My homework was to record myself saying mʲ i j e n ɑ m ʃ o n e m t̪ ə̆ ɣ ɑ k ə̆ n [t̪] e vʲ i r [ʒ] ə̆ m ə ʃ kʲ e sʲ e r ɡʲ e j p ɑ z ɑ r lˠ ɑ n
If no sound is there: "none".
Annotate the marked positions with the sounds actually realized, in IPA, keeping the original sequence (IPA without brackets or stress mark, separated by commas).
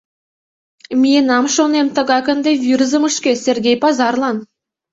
d̪, z